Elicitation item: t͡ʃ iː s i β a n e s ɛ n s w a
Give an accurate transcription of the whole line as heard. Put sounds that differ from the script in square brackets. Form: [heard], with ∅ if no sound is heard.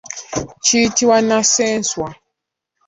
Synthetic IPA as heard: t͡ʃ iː [t] i [w] a n [a] s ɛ n s w a